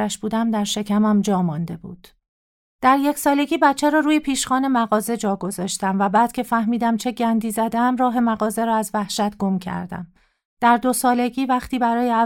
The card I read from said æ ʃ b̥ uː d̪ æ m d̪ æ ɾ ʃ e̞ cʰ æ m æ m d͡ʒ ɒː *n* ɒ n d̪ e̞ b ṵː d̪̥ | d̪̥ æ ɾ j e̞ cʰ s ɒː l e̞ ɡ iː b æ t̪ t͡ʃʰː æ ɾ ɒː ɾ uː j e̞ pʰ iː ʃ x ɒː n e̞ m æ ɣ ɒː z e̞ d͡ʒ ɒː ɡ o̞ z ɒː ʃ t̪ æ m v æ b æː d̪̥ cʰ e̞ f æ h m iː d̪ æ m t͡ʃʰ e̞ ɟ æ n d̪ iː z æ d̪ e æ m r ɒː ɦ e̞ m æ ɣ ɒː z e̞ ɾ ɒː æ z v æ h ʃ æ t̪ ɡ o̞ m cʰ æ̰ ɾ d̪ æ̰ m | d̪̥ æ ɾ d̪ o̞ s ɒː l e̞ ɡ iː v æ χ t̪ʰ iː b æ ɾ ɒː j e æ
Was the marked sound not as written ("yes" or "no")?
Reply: yes